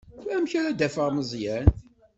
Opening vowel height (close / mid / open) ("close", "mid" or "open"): open